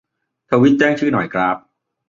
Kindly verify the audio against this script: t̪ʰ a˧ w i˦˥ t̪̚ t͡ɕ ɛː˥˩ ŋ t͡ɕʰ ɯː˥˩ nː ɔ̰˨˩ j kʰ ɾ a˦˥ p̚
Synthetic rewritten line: t̪ʰ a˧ w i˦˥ t̪̚ t͡ɕ ɛː˥˩ ŋ t͡ɕʰ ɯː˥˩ n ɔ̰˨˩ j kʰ ɾ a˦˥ p̚